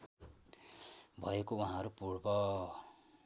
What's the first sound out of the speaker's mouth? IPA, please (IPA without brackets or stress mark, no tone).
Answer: bʱ